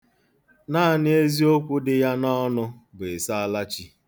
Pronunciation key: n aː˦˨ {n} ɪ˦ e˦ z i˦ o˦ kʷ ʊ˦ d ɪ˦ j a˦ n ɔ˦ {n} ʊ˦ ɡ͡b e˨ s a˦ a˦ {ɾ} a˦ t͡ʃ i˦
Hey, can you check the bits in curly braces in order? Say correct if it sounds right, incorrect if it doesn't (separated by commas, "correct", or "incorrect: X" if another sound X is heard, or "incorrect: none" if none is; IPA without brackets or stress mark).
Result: correct, correct, incorrect: l